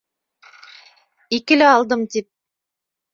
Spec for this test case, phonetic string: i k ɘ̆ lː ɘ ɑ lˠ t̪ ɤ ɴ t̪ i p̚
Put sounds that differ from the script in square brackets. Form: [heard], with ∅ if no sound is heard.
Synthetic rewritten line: i k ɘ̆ [l] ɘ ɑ lˠ [d̪] ɤ [m] t̪ i p̚